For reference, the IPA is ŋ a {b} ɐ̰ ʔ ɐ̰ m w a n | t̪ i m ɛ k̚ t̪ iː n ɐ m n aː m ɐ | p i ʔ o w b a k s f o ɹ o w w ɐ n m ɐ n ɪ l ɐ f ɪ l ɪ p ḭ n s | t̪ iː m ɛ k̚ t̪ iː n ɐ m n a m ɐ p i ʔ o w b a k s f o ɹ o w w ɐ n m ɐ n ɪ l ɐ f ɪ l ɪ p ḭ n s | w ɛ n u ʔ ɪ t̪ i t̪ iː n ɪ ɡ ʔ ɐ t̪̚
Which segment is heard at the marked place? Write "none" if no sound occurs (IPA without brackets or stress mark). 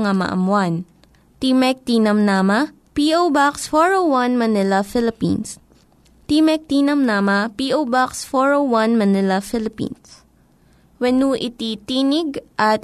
m